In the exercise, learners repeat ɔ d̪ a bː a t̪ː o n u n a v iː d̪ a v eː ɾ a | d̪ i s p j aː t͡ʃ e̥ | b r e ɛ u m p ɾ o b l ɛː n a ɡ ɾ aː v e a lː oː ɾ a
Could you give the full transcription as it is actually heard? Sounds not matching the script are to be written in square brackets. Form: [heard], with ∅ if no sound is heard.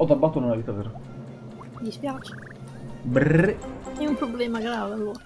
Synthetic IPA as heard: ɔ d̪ a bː a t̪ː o n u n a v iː [t̪] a v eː ɾ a | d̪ i s p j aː t͡ʃ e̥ | b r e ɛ u m p ɾ o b l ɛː [m] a ɡ ɾ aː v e a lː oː ɾ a

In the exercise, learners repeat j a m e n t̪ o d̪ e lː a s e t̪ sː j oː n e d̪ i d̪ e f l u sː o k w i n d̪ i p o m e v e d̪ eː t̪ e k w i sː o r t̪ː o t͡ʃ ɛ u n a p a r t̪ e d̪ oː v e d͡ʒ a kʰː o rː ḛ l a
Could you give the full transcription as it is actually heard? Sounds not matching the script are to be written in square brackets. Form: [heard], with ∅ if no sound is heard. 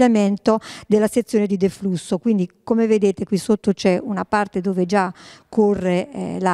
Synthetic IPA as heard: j a m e n t̪ o d̪ e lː a s e t̪ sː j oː n e d̪ i d̪ e f l u sː o k w i n d̪ i [k] o m e v e d̪ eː t̪ e k w i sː o [∅] t̪ː o t͡ʃ ɛ u n a p a r t̪ e d̪ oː v e d͡ʒ a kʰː o rː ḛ l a

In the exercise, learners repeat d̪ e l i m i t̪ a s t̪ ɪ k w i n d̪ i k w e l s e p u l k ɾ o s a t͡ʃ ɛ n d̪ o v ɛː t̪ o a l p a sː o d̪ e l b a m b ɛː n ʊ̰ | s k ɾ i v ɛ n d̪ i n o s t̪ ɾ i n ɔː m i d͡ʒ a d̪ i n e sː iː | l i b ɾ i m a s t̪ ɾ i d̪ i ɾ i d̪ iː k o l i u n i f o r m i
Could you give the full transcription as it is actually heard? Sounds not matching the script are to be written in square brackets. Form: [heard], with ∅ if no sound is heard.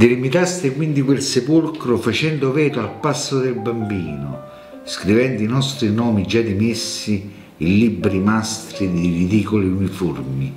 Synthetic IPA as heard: d̪ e l i m i t̪ a s t̪ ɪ k w i n d̪ i k w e l s e p u l k ɾ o [f] a t͡ʃ ɛ n d̪ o v ɛː t̪ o a l p a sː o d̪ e l b a m b [iː] n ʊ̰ | s k ɾ i v ɛ n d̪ i n [ɔ] s t̪ ɾ i n ɔː m i d͡ʒ a d̪ i [m] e sː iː | l i b ɾ i m a s t̪ ɾ i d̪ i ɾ i d̪ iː k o l i u n i f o r m i

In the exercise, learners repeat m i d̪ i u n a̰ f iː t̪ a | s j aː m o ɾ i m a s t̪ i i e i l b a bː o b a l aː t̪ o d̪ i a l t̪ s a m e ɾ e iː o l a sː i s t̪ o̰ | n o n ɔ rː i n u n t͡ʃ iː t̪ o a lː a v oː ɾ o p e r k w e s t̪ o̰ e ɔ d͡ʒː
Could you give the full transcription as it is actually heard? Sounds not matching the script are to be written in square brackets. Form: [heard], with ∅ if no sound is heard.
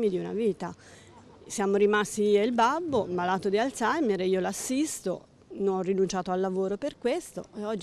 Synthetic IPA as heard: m i d̪ i u n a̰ [v] iː t̪ a | s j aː m o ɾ i m a s t̪ i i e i l b a bː o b a l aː t̪ o d̪ i a l t̪ s a m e ɾ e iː o l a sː i s t̪ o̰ | n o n ɔ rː i n u n t͡ʃ [aː] t̪ o a lː a v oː ɾ o p e r k w e s t̪ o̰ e ɔ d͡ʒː

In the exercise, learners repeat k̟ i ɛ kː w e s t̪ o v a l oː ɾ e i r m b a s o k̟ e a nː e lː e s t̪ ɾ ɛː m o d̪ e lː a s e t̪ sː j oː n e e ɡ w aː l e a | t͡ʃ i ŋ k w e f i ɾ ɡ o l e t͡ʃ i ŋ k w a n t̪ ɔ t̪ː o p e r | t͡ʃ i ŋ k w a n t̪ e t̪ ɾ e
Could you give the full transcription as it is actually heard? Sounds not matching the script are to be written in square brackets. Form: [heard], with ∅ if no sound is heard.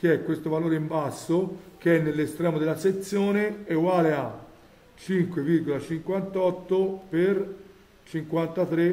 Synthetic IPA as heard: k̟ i ɛ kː w e s t̪ o v a l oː ɾ e i [∅] m b a [sː] o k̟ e [ɛ] nː e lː e s t̪ ɾ ɛː m o d̪ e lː a s e t̪ sː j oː n e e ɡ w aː l e a | t͡ʃ i ŋ k w e [v] i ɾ ɡ o l [a] t͡ʃ i ŋ k w a n t̪ ɔ t̪ː o p e r | t͡ʃ i ŋ k w a n t̪ [a] t̪ ɾ e

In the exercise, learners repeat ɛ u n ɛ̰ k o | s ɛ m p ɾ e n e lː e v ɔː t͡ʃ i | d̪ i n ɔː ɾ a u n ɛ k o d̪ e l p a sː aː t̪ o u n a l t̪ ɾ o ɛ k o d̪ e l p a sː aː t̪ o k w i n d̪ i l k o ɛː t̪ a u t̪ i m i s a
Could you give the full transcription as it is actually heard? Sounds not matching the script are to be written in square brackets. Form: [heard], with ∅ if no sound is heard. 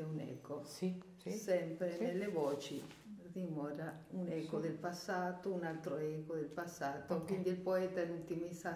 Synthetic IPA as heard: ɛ u n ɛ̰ k o | s ɛ m p ɾ e n e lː e v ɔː t͡ʃ i | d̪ i [m] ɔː ɾ a u n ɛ k o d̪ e l p a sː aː t̪ o u n a l t̪ ɾ o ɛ k o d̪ e l p a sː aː t̪ o k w i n d̪ i l [p] o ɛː t̪ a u t̪ i m i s a

